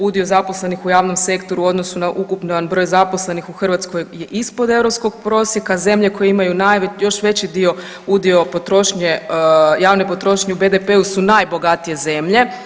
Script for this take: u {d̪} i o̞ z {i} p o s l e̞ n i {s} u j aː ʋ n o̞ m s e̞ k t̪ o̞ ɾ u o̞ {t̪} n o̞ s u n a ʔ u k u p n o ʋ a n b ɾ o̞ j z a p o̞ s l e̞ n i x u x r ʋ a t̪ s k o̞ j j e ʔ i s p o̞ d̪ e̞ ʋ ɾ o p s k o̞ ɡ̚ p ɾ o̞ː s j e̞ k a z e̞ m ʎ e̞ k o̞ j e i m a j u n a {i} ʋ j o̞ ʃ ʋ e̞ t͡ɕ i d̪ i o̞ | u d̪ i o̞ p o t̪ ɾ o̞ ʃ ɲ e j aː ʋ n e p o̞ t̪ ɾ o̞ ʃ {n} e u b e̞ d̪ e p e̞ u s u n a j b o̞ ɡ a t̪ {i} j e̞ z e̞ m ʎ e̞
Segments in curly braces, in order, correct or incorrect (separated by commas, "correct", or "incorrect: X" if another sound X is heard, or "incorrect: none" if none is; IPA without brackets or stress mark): correct, incorrect: a, incorrect: x, incorrect: d̪, incorrect: j, incorrect: ɲ, correct